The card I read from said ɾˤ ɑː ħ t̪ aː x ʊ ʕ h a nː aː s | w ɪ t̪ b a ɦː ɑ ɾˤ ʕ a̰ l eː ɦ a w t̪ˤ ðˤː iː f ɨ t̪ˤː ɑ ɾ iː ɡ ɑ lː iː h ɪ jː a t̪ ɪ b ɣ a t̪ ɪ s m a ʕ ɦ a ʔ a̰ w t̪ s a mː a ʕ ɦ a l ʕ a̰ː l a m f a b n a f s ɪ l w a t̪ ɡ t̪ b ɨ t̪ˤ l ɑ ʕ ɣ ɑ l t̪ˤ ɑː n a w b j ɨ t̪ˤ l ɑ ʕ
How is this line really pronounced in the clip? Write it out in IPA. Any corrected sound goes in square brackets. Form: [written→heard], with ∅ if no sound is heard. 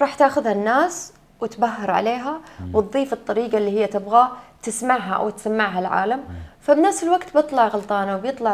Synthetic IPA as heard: ɾˤ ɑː ħ t̪ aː x ʊ [ʕ→ð] h a nː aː s | w ɪ t̪ b a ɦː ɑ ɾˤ ʕ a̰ l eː ɦ a w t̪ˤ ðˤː iː f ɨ t̪ˤː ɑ ɾ iː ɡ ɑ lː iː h ɪ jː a t̪ ɪ b ɣ a t̪ ɪ s m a ʕ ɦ a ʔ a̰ w t̪ s a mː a ʕ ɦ a l ʕ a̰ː l a m f a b n a f s ɪ l w a [t̪→∅] ɡ t̪ b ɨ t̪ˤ l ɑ ʕ ɣ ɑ l t̪ˤ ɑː n a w b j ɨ t̪ˤ l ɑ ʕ